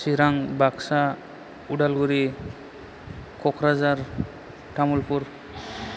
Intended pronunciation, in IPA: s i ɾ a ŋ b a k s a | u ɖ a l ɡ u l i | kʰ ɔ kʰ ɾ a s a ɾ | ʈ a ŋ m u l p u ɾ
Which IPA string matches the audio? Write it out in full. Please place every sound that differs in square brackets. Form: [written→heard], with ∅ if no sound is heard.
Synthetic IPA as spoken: s i ɾ a ŋ b a k s a | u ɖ a l ɡ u [l→ɾ] i | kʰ ɔ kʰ ɾ a [s→z] a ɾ | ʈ a [ŋ→∅] m u l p u ɾ